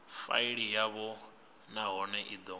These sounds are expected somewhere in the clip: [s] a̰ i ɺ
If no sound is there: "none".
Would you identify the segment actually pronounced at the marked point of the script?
f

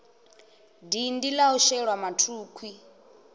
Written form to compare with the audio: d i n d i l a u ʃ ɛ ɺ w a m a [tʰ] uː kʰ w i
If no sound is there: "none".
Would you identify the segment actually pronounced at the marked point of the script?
tʰ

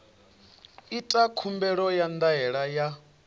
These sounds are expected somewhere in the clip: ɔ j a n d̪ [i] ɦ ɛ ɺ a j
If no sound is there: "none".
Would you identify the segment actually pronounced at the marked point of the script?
a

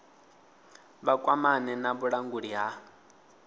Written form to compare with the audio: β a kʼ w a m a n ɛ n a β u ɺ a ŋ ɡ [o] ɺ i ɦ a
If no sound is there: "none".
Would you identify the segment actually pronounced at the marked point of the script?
u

